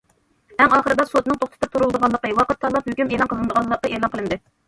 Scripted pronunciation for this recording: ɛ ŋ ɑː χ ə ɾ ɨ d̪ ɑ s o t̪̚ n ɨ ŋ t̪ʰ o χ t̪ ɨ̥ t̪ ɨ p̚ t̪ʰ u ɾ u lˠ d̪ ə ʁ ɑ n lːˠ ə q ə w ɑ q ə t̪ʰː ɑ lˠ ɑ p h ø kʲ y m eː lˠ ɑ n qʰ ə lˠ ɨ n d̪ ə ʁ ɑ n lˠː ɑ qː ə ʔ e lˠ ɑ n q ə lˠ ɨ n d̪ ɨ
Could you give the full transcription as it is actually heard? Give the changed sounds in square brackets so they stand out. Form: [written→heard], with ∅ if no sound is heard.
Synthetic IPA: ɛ ŋ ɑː χ ə ɾ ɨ d̪ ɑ s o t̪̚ n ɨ ŋ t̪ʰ o χ t̪ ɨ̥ t̪ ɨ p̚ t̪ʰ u ɾ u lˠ d̪ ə ʁ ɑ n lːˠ ə q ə w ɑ q ə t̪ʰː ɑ lˠ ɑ p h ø kʲ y m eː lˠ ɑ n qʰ ə lˠ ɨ n d̪ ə ʁ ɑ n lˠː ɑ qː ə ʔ e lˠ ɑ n q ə lˠ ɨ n d̪ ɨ